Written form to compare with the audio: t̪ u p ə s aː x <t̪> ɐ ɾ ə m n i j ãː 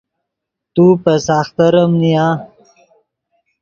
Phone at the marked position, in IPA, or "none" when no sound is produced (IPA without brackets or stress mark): t̪